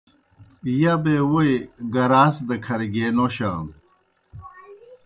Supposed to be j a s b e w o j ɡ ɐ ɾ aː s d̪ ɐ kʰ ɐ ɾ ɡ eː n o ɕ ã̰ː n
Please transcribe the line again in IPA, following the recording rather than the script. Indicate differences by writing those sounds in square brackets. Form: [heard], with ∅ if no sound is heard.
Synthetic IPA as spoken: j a [∅] b e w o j ɡ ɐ ɾ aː s d̪ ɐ kʰ ɐ ɾ ɡ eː n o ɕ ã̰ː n